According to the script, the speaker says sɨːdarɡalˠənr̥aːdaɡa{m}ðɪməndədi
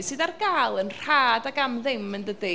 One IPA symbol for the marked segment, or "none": m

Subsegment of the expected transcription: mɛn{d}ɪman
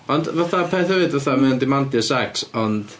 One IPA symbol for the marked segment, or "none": d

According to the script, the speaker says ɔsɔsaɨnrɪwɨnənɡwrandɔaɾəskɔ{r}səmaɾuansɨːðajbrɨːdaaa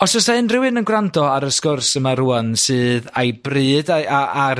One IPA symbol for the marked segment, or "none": r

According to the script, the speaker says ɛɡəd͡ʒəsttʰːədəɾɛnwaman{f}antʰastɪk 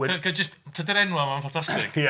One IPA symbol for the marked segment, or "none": f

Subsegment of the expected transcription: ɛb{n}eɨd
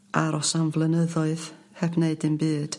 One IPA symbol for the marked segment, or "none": n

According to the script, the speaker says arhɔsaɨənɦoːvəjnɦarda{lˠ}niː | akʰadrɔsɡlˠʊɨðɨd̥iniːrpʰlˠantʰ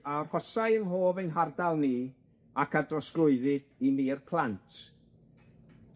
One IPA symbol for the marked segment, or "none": lˠ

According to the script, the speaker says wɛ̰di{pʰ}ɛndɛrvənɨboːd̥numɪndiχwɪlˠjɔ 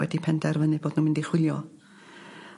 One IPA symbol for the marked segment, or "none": pʰ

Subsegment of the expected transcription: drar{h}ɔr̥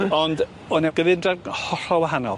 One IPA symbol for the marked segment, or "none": h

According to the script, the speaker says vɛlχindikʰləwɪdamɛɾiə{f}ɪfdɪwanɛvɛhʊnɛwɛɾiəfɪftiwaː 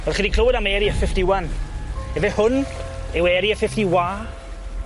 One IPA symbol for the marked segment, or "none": f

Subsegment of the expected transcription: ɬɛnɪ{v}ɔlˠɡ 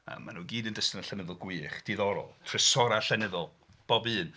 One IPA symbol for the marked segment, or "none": ð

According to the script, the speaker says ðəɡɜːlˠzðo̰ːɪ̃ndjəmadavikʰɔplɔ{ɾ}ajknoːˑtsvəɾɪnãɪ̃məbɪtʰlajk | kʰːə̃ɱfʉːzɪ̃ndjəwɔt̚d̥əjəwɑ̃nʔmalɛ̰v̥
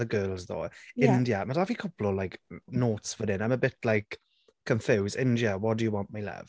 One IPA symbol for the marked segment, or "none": l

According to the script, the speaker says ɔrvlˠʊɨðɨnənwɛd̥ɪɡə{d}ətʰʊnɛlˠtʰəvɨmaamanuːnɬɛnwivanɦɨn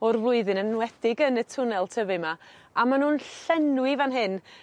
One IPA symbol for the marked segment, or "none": n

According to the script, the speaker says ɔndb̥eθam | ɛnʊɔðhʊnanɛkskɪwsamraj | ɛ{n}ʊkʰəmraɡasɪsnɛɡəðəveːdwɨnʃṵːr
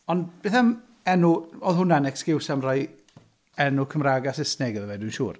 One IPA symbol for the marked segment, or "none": n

